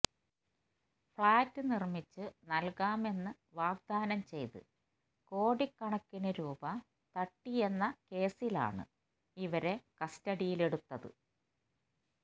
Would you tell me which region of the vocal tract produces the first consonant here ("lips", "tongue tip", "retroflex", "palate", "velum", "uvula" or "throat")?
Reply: lips